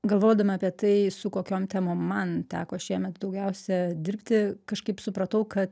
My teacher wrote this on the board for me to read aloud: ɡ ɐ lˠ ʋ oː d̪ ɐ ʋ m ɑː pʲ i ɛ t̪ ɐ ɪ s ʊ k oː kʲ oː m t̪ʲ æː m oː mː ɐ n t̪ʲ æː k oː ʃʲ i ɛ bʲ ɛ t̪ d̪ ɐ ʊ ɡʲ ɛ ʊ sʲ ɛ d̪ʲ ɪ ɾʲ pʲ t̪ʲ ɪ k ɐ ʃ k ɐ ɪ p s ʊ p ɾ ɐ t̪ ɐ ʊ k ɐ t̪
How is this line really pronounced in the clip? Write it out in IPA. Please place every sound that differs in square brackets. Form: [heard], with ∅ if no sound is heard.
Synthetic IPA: ɡ ɐ lˠ ʋ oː d̪ ɐ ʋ m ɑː pʲ i ɛ t̪ ɐ ɪ s ʊ k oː kʲ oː m t̪ʲ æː m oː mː ɐ n t̪ʲ æː k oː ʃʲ i ɛ [mʲ] ɛ t̪ d̪ ɐ ʊ ɡʲ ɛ ʊ sʲ ɛ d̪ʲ ɪ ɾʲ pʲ t̪ʲ ɪ k ɐ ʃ k ɐ ɪ p s ʊ p ɾ ɐ t̪ ɐ ʊ k ɐ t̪